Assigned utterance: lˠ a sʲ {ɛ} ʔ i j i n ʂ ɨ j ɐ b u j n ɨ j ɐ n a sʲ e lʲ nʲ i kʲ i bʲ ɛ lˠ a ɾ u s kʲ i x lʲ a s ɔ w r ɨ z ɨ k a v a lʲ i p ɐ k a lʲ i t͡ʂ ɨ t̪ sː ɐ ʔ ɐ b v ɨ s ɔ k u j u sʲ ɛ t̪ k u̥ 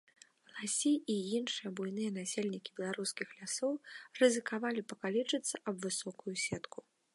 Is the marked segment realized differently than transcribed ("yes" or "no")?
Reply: yes